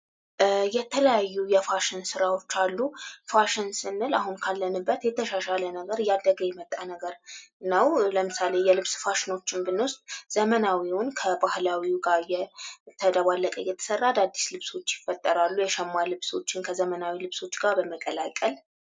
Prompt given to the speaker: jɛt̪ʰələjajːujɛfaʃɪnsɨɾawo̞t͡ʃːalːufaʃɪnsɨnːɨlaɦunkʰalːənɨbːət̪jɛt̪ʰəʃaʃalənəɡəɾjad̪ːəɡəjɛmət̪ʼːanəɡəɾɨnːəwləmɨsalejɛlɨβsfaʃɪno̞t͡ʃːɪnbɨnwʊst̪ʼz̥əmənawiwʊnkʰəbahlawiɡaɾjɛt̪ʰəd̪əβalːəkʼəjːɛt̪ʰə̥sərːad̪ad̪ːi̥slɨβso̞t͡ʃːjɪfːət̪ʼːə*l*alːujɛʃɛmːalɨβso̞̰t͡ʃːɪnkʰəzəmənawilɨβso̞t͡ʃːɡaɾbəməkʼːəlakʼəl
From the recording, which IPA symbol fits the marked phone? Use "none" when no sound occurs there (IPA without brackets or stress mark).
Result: ɾ